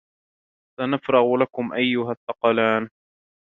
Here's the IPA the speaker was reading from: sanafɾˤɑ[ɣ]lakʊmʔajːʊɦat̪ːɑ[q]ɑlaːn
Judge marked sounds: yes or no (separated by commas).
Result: yes, yes